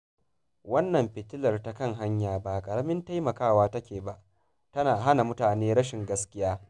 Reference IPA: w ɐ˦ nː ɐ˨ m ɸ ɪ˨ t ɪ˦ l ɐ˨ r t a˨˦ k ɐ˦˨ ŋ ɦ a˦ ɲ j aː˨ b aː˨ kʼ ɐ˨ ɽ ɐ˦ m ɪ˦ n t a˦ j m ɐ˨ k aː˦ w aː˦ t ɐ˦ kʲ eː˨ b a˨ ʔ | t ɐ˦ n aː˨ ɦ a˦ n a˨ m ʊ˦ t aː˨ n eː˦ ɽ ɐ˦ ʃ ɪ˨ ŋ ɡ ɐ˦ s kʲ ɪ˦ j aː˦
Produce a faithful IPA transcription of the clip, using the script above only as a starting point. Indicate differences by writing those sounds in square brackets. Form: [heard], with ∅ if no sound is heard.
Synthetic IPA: w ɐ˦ nː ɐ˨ m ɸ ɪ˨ t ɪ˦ l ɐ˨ r t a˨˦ k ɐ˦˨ ŋ ɦ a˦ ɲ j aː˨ b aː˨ kʼ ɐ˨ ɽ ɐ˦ m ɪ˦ n t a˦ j m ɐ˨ k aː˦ w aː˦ t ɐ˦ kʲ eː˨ b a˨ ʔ | t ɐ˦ n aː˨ ɦ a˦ n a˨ m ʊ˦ t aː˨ n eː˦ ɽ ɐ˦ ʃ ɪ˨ ŋ ɡ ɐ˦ s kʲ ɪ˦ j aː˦